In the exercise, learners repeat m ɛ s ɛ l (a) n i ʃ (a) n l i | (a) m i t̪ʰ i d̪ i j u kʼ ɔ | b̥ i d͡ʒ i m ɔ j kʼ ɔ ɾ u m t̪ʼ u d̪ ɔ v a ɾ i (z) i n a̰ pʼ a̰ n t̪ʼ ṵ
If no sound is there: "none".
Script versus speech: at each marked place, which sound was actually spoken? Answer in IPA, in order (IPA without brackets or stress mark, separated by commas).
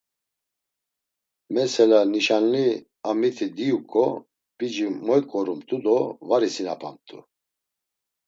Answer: a, a, a, s